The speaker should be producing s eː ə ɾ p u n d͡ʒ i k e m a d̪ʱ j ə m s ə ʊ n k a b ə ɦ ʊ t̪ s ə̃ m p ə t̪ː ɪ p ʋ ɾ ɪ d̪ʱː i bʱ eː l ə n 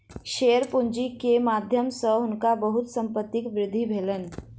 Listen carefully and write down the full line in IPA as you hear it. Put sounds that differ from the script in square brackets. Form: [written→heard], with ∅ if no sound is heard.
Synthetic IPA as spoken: [s→ʃ] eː ə ɾ p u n d͡ʒ i k e m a d̪ʱ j ə m s ə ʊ n k a b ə ɦ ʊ t̪ s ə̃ m p ə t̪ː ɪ [p→k] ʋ ɾ ɪ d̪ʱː i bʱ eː l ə n